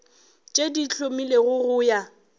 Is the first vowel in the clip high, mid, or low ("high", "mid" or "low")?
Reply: mid